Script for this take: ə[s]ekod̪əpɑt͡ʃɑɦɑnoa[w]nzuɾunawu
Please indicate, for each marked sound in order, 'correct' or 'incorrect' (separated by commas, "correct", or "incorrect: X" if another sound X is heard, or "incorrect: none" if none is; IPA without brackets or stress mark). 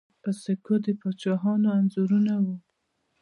correct, incorrect: none